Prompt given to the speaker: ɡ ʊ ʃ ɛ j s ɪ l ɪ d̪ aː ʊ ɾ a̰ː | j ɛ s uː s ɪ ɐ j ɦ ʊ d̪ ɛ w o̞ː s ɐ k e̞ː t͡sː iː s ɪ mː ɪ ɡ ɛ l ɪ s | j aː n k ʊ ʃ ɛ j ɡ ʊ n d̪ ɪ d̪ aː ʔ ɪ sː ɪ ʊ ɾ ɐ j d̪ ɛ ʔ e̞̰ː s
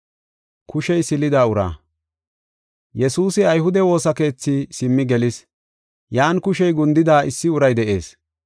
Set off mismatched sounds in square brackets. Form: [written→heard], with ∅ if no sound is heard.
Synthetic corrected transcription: [ɡ→k] ʊ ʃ ɛ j s ɪ l ɪ d̪ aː ʊ ɾ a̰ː | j ɛ s uː s ɪ ɐ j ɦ ʊ d̪ ɛ w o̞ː s ɐ k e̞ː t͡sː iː s ɪ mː ɪ ɡ ɛ l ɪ s | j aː n k ʊ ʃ ɛ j ɡ ʊ n d̪ ɪ d̪ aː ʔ ɪ sː ɪ ʊ ɾ ɐ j d̪ ɛ ʔ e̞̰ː s